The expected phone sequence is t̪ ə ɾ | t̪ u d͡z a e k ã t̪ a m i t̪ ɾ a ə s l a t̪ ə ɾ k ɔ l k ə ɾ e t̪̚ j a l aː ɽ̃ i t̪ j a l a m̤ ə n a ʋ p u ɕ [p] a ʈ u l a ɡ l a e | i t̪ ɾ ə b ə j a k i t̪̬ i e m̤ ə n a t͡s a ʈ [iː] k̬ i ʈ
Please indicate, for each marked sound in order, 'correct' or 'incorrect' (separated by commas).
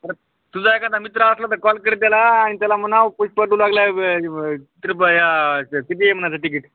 correct, incorrect